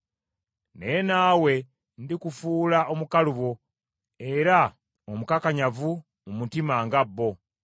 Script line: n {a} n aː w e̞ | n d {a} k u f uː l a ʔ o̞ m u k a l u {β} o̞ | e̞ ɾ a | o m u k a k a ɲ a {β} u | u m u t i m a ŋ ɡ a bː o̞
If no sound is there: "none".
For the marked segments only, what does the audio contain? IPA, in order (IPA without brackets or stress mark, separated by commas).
e, i, β, v